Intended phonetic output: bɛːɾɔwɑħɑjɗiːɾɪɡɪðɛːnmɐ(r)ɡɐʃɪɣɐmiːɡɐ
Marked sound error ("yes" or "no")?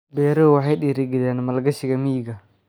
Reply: yes